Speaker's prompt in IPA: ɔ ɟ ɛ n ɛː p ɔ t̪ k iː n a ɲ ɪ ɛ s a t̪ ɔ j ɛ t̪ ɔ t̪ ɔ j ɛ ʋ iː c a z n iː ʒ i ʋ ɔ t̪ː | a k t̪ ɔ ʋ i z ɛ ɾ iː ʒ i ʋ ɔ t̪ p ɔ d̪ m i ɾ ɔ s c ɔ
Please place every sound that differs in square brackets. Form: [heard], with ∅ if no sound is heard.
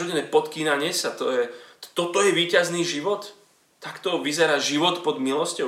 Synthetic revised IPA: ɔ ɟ ɛ n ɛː p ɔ t̪ k iː n a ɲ ɪ ɛ s a t̪ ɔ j ɛ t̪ ɔ t̪ ɔ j ɛ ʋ iː c a z n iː ʒ i ʋ ɔ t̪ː | a k t̪ ɔ ʋ i z ɛ ɾ [aː] ʒ i ʋ ɔ t̪ p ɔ d̪ m i [l] ɔ s c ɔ